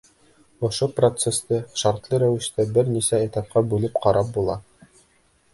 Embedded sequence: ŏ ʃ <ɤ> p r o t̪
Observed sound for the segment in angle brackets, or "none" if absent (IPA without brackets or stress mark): o